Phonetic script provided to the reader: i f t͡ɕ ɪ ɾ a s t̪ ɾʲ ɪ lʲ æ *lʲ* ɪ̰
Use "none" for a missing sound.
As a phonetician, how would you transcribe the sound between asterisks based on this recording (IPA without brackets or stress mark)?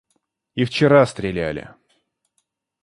lʲ